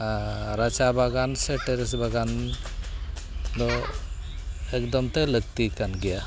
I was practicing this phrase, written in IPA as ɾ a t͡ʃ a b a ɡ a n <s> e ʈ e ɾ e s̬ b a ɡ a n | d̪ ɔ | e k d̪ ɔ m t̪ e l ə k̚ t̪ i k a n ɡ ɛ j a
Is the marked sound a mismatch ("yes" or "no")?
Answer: no